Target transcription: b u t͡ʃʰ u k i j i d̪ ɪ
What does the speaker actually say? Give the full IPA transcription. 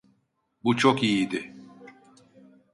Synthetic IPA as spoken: b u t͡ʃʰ o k i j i d̪ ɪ